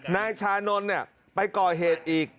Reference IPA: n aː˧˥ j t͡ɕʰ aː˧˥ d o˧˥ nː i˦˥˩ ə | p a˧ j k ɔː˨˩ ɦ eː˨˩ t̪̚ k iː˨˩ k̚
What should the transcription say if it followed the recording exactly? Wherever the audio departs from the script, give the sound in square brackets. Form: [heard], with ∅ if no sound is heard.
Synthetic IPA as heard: n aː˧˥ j t͡ɕʰ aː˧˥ [n] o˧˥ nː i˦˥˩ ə | p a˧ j k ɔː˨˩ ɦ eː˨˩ t̪̚ [ʔ] iː˨˩ k̚